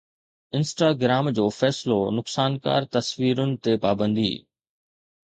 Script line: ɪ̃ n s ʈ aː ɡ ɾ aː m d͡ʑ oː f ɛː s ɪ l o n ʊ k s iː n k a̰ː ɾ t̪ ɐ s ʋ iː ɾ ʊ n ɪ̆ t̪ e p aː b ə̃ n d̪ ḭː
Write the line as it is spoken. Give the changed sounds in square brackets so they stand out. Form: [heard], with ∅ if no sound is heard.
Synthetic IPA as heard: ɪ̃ n s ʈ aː ɡ ɾ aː m d͡ʑ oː f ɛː s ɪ l o n ʊ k s [aː] n k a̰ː ɾ t̪ ɐ s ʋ iː ɾ ʊ n ɪ̆ t̪ e p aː b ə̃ n d̪ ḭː